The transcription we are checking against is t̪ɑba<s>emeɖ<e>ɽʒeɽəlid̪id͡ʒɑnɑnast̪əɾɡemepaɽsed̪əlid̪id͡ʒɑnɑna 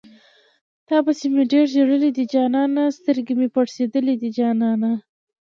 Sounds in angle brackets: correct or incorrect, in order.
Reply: correct, correct

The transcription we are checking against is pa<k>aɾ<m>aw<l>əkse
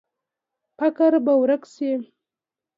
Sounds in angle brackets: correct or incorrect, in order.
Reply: correct, incorrect: b, incorrect: ɾ

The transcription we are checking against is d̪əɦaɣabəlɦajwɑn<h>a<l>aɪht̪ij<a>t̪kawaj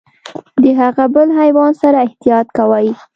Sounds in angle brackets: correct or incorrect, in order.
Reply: incorrect: s, incorrect: ɾ, incorrect: ɑ

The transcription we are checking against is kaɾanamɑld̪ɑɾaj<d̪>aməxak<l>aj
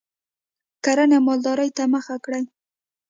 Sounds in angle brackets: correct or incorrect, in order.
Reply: incorrect: t̪, incorrect: ɽ

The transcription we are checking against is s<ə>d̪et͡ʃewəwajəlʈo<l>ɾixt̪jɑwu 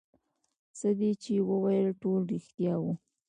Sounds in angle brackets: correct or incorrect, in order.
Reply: correct, correct

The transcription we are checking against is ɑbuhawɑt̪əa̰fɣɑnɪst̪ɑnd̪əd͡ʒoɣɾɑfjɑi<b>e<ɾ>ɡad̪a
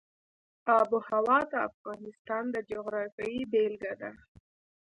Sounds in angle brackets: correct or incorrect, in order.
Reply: correct, incorrect: l

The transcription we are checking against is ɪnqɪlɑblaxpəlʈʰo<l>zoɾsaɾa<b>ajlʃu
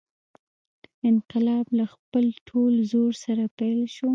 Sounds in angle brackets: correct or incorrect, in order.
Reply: correct, incorrect: p

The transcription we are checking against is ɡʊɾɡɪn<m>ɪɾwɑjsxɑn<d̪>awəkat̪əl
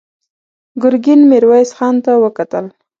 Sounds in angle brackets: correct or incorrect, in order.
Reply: correct, incorrect: t̪

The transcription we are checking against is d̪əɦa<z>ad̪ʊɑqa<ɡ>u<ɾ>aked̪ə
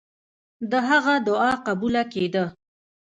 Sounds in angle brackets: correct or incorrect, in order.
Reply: incorrect: ɣ, incorrect: b, incorrect: l

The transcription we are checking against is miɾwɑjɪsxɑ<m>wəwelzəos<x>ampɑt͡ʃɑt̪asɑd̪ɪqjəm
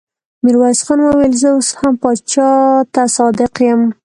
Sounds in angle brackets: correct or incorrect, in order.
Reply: incorrect: n, incorrect: h

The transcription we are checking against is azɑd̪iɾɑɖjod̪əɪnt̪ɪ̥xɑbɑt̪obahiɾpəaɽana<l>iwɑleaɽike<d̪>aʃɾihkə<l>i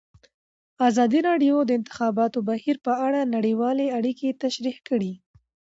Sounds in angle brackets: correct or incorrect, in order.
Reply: incorrect: ɽ, incorrect: t̪, incorrect: ɽ

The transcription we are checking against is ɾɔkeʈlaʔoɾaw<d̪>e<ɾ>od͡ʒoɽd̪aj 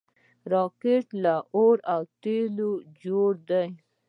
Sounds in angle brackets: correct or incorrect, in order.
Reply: incorrect: t̪, incorrect: l

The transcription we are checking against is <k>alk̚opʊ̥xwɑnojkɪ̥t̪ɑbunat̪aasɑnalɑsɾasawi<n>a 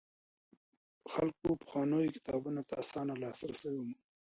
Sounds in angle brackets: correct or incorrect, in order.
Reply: incorrect: x, incorrect: m

